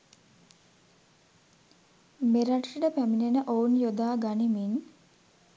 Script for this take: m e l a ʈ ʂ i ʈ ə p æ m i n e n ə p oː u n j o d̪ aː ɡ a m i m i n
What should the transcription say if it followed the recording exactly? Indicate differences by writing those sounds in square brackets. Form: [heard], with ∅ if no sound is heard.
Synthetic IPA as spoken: m e [ɾ] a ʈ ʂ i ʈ ə p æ m i n e n ə [ʔ] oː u n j o d̪ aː ɡ a [n] i m i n